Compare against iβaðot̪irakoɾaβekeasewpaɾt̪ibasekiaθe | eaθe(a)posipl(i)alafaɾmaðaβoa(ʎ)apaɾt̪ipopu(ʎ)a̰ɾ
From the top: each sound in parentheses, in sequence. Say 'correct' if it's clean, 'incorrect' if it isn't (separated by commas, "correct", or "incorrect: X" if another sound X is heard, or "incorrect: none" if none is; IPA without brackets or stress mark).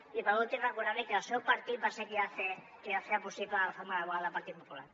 correct, incorrect: a, incorrect: l, incorrect: l